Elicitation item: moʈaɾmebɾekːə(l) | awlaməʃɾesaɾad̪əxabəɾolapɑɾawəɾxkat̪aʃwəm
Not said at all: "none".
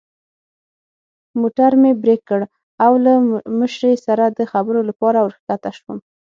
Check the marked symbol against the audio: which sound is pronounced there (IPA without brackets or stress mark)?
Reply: ɽ